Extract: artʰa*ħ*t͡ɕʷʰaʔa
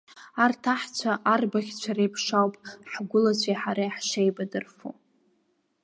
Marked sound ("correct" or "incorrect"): correct